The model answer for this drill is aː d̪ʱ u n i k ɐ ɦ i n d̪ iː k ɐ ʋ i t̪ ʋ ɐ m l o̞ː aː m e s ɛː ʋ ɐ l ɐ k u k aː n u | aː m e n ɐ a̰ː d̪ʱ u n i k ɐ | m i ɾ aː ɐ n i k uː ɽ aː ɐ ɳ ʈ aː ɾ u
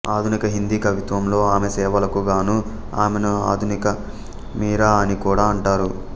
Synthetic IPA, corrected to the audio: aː d̪ʱ u n i k ɐ ɦ i n d̪ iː k ɐ ʋ i t̪ ʋ ɐ m l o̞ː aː m e s ɛː ʋ ɐ l ɐ k u ɡ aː n u | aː m e n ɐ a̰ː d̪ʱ u n i k ɐ | m iː ɾ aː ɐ n i k uː ɽ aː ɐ ɳ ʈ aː ɾ u

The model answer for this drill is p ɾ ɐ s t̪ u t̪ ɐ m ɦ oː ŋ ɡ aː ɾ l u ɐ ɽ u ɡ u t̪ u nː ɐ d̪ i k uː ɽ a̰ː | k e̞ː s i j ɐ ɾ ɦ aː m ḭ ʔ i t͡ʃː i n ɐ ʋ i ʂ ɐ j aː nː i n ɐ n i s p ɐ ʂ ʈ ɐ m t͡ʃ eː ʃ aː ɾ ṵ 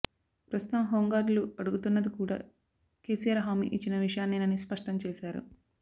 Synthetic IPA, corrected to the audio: p ɾ ɐ s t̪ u t̪ ɐ m ɦ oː ŋ ɡ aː ɾ l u ɐ ɽ u ɡ u t̪ u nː ɐ d̪ i k uː ɽ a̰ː | k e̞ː s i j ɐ ɾ ɦ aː m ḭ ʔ i t͡ʃː i n ɐ ʋ i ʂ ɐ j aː nː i n ɐ n i s p ɐ ʂ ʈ ɐ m t͡ʃ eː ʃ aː ɾ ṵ

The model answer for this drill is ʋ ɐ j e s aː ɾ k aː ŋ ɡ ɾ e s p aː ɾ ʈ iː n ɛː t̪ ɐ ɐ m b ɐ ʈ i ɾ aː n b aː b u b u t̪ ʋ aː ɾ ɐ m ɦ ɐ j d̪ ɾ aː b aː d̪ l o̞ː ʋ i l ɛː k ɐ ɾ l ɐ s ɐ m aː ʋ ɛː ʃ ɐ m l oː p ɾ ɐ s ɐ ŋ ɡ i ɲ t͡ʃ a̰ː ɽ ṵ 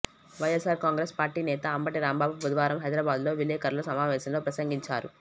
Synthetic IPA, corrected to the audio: ʋ ɐ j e s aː ɾ k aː ŋ ɡ ɾ e s p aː ɾ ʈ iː n ɛː t̪ ɐ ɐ m b ɐ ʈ i ɾ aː m b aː b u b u d̪ ʋ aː ɾ ɐ m ɦ ɐ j d̪ ɾ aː b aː d̪ l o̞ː ʋ i l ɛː k ɐ ɾ l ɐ s ɐ m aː ʋ ɛː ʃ ɐ m l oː p ɾ ɐ s ɐ ŋ ɡ i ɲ t͡ʃ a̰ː ɾ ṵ

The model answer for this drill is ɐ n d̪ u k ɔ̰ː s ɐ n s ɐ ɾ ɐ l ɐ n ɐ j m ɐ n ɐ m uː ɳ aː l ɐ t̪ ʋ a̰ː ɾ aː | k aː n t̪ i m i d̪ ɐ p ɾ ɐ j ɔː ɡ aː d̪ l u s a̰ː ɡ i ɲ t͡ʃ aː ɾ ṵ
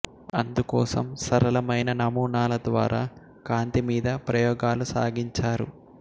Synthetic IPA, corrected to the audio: ɐ n d̪ u k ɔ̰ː s ɐ m s ɐ ɾ ɐ l ɐ m ɐ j n ɐ n ɐ m uː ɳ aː l ɐ d̪ ʋ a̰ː ɾ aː | k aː n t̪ i m iː d̪ ɐ p ɾ ɐ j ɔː ɡ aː l u s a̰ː ɡ i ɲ t͡ʃ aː ɾ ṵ

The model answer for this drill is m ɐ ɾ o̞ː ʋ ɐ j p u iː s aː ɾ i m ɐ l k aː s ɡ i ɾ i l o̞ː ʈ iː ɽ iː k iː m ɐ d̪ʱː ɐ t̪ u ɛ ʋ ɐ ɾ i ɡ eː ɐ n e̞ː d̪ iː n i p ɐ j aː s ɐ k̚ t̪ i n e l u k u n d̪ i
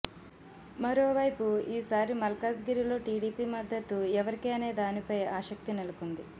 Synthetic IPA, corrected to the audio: m ɐ ɾ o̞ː ʋ ɐ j p u iː s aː ɾ i m ɐ l k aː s ɡ i ɾ i l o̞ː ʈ iː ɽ iː p iː m ɐ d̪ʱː ɐ t̪ u ɛ ʋ ɐ ɾ i k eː ɐ n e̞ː d̪ aː n i p ɐ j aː ʃ ɐ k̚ t̪ i n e l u k u n d̪ i

